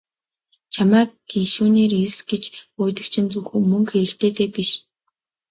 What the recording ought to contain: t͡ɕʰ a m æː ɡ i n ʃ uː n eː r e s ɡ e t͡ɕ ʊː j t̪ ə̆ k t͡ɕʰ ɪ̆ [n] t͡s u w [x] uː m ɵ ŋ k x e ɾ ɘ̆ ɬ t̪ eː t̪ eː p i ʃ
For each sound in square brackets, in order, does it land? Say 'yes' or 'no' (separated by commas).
yes, yes